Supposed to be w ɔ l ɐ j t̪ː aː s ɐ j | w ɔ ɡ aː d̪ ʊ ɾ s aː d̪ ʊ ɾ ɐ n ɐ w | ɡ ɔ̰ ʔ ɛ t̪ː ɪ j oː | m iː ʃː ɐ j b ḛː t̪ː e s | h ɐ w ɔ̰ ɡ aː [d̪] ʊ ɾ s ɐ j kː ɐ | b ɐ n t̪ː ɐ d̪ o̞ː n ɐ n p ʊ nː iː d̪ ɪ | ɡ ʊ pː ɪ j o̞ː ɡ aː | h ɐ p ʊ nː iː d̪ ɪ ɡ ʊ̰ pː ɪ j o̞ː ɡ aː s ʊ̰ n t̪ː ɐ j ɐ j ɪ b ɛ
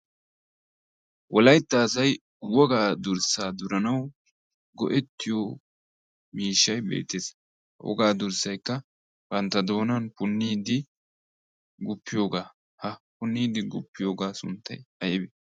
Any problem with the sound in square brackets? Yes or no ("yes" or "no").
no